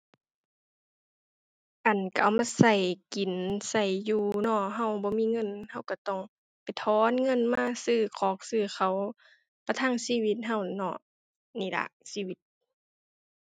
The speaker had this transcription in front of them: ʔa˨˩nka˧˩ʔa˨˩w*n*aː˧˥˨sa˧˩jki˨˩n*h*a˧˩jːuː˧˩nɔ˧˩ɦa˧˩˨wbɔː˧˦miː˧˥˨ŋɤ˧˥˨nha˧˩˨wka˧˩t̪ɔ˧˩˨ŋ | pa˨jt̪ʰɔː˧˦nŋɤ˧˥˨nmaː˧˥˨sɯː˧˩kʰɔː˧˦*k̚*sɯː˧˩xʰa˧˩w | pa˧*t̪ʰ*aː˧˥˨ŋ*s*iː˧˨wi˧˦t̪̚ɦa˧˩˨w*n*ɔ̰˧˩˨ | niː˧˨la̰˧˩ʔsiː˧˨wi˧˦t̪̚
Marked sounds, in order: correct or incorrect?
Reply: incorrect, incorrect, correct, correct, correct, correct

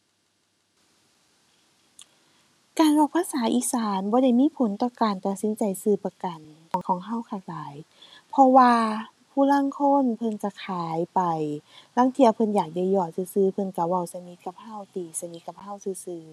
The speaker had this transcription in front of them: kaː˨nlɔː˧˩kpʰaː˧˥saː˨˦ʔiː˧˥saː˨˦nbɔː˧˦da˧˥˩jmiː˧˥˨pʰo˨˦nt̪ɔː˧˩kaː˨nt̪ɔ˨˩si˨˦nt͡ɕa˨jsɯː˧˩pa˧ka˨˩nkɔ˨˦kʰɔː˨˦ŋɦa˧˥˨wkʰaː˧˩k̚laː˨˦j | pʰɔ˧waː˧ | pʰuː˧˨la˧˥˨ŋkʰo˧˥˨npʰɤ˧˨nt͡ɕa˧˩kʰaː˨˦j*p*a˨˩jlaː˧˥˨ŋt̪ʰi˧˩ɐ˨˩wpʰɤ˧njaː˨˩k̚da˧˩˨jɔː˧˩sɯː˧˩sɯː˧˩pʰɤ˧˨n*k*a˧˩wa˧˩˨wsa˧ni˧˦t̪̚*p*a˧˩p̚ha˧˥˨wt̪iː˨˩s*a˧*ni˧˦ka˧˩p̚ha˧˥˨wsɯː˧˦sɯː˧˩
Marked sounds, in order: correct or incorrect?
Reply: correct, correct, incorrect, correct

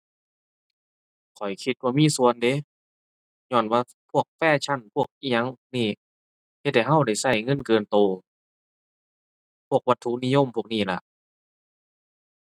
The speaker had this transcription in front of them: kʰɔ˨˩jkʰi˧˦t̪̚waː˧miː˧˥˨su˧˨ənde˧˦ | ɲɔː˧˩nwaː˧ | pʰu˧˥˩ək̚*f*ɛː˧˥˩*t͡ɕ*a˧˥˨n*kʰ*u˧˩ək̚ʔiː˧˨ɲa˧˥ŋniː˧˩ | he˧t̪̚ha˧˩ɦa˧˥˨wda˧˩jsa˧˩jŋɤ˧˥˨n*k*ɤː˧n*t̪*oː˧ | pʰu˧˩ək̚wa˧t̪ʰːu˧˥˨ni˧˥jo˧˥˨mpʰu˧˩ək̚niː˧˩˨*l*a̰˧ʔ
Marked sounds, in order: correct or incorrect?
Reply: correct, incorrect, incorrect, correct, correct, correct

